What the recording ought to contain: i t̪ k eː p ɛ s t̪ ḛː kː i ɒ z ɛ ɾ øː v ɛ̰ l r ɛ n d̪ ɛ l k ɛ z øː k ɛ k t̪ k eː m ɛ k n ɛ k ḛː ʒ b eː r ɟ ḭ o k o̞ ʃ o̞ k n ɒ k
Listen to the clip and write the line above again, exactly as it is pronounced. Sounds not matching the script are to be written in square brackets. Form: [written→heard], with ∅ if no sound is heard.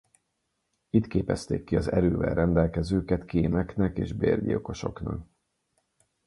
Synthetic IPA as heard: i t̪ k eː p ɛ s t̪ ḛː kː i ɒ z ɛ ɾ øː v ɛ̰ l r ɛ n d̪ ɛ l k ɛ z øː k ɛ [k→∅] t̪ k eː m ɛ k n ɛ k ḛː ʒ b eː r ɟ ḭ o k o̞ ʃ o̞ k n ɒ k